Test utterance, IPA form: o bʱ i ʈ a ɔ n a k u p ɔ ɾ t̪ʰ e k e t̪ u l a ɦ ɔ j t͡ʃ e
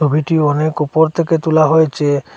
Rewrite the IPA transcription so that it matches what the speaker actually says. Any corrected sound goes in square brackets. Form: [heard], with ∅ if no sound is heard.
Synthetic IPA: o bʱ i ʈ [i] ɔ n [e] k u p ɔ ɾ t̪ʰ e k e t̪ u l a ɦ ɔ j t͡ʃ e